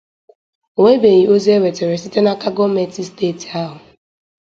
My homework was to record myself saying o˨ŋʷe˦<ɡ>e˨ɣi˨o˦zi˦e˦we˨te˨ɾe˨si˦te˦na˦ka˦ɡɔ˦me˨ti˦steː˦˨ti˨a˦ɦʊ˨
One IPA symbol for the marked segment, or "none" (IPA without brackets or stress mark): b